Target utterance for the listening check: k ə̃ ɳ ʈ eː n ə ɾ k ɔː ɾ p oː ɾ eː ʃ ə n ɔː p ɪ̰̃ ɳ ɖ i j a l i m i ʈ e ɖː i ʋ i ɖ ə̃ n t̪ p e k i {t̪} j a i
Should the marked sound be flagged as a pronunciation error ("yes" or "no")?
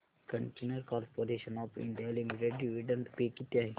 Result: no